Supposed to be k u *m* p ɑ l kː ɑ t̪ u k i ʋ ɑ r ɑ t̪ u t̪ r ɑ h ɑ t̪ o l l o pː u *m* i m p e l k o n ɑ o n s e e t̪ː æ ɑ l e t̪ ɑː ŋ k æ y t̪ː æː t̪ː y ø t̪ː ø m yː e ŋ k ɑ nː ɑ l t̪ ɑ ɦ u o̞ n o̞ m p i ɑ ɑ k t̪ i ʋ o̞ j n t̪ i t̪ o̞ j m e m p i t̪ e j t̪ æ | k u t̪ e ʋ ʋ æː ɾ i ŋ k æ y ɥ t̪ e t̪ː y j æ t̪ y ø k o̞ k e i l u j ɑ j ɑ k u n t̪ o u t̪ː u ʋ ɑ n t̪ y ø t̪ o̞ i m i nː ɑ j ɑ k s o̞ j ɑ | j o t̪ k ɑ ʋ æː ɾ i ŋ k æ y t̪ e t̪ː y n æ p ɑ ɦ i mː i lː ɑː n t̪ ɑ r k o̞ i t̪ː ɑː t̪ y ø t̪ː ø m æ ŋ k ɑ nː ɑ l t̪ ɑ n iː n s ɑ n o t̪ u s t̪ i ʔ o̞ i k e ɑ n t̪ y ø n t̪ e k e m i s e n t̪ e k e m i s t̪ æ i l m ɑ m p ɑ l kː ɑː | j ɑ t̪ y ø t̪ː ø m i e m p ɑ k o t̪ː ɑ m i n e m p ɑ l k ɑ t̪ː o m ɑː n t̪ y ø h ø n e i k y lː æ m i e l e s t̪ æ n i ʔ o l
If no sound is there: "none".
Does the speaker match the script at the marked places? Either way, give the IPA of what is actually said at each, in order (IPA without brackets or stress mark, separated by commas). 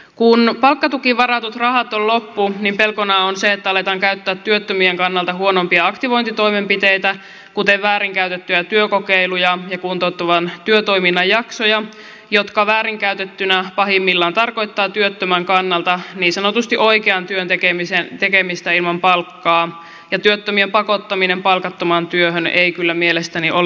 n, n